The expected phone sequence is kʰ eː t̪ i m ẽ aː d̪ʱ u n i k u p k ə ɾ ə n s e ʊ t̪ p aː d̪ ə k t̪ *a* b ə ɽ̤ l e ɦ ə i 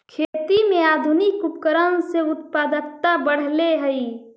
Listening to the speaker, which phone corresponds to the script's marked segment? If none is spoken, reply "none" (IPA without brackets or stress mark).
a